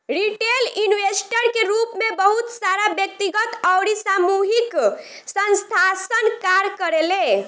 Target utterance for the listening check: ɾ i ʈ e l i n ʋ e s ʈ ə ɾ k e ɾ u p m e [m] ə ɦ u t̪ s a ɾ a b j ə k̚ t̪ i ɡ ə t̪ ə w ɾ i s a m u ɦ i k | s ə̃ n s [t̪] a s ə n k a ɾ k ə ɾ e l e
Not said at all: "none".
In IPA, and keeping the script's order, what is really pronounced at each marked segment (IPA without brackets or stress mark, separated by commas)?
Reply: b, t̪ʰ